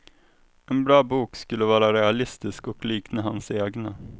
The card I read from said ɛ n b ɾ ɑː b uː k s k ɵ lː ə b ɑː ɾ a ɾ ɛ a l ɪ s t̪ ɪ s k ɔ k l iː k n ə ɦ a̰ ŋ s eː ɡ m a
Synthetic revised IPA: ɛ n b ɾ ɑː b uː k s k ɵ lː ə v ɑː ɾ a ɾ ɛ a l ɪ s t̪ ɪ s k ɔ k l iː k n ə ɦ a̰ n s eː ɡ n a